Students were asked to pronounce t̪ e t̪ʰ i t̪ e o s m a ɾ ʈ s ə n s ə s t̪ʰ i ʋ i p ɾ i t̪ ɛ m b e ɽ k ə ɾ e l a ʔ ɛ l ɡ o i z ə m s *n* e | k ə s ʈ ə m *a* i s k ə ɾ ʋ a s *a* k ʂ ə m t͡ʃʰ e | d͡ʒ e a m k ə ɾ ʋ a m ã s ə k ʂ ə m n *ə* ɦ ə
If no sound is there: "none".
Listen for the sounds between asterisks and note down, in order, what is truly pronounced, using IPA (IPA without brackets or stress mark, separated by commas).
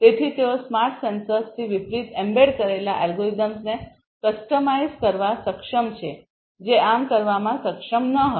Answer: n, a, ə, ə